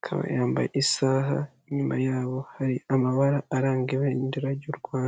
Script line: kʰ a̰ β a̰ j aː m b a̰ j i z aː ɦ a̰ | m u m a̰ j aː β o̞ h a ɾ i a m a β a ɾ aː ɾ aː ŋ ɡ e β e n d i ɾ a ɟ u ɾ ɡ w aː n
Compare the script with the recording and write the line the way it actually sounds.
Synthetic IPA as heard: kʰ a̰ β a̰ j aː m b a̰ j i s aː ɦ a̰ | ɲ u m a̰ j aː β o̞ h a ɾ i a m a β a ɾ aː ɾ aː ŋ ɡ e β e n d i ɾ a ɟ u ɾ ɡ w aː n